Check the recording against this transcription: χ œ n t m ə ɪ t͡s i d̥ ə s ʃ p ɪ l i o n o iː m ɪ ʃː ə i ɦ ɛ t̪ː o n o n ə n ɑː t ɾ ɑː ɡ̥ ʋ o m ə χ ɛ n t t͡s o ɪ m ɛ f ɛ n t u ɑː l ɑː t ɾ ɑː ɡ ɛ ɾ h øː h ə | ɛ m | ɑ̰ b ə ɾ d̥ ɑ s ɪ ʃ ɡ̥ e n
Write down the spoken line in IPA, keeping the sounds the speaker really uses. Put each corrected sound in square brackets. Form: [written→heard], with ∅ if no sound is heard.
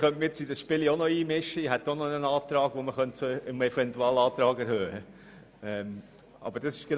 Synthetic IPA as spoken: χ œ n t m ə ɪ t͡s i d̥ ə s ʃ p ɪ l i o n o iː m ɪ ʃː ə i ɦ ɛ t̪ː o n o n ə n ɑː t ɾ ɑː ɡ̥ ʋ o m ə χ [ɛ→œ] n t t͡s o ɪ m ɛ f ɛ n t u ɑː l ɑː t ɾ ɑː ɡ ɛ ɾ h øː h ə | ɛ m | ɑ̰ b ə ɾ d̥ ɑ s ɪ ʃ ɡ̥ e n